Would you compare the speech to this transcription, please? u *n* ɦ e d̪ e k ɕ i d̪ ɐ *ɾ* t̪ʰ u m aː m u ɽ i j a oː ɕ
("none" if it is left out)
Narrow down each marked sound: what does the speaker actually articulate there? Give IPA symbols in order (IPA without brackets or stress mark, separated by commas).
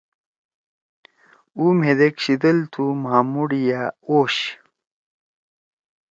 m, l